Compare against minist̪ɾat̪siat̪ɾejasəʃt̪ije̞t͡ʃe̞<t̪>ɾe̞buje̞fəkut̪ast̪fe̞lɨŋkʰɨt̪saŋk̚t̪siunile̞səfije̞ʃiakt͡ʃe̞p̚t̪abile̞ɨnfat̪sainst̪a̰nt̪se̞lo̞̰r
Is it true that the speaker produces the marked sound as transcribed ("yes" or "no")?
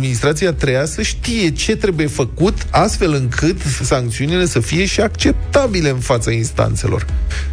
yes